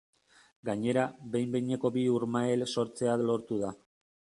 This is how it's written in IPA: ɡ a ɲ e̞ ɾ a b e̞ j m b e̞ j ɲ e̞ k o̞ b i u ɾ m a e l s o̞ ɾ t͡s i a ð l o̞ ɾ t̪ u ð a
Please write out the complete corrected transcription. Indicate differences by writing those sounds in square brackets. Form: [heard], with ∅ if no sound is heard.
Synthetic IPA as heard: ɡ a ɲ e̞ ɾ a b e̞ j m b e̞ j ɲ e̞ k o̞ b i u ɾ m a e l s o̞ ɾ t͡s [e] a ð l o̞ ɾ t̪ u ð a